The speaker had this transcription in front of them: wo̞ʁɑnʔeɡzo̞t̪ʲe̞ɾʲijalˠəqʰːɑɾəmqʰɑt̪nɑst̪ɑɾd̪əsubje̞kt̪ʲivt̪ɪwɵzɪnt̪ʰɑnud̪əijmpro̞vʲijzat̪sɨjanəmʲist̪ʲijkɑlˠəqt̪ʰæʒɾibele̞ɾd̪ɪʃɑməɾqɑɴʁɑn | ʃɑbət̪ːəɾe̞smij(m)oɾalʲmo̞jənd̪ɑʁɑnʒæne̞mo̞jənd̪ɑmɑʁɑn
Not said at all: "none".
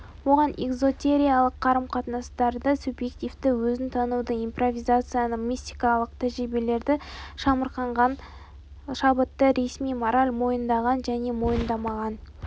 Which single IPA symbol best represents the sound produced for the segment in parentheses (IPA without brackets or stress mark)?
m